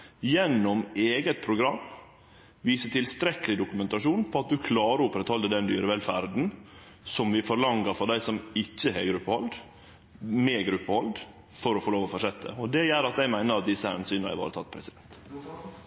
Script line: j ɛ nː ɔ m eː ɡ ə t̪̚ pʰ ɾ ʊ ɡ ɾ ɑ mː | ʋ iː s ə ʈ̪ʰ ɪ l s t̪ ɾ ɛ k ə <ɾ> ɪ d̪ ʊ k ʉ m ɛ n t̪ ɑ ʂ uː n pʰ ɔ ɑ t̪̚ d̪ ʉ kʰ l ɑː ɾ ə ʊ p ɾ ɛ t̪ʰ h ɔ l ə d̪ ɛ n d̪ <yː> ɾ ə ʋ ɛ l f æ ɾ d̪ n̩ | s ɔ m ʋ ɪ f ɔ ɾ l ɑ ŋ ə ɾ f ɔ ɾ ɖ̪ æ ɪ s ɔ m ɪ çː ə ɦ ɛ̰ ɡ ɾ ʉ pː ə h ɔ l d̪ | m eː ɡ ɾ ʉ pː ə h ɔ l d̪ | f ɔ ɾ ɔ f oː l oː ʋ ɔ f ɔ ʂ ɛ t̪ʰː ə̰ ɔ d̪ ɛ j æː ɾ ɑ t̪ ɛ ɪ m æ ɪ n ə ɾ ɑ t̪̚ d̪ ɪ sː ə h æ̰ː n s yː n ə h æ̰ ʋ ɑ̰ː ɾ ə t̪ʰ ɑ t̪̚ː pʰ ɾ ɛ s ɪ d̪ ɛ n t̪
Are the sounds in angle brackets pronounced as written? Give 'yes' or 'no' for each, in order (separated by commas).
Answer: no, yes